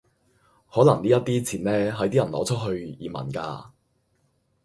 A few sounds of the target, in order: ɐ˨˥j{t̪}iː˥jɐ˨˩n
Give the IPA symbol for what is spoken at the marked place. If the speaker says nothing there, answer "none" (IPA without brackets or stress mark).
t̪